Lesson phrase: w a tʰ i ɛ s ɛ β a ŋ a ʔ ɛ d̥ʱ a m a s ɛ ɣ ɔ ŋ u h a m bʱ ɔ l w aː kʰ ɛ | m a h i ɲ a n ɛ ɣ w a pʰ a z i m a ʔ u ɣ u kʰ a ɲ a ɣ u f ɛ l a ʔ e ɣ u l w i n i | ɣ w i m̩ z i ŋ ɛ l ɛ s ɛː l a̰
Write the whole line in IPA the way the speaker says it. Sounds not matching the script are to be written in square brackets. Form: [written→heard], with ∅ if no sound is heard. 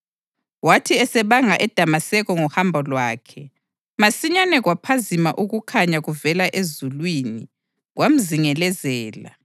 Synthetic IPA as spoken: w a tʰ i ɛ s ɛ β a ŋ a ʔ ɛ d̥ʱ a m a s ɛ ɣ ɔ ŋ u h a m bʱ ɔ l w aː kʰ ɛ | m a [h→s] i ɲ a n ɛ ɣ w a pʰ a z i m a ʔ u ɣ u kʰ a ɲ a ɣ u [f→v] ɛ l a ʔ e [ɣ→z] u l w i n i | ɣ w [i→a] m̩ z i ŋ ɛ l ɛ [s→z] ɛː l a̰